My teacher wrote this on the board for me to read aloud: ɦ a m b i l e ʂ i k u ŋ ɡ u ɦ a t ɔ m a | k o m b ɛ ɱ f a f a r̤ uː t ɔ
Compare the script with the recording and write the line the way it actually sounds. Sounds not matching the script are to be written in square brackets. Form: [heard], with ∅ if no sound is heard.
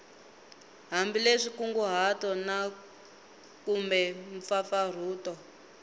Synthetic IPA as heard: ɦ a m b i l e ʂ i k u ŋ ɡ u ɦ a t ɔ [n] a | k [u] m b ɛ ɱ f a f a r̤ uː t ɔ